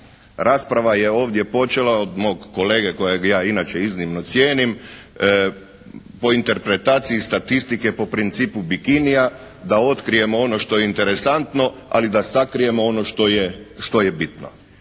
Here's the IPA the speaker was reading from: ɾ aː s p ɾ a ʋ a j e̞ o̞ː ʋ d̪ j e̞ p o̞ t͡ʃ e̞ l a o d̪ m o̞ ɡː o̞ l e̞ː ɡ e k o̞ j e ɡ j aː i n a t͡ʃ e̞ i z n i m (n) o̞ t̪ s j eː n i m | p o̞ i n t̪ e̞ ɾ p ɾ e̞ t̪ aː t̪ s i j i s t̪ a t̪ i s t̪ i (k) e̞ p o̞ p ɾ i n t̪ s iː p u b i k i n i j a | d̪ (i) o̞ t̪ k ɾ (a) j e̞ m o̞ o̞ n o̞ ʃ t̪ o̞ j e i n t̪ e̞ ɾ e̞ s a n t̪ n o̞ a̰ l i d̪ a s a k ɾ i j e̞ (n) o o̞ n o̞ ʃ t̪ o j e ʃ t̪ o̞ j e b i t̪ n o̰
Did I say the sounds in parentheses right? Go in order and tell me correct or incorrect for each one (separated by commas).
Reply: correct, correct, incorrect, incorrect, incorrect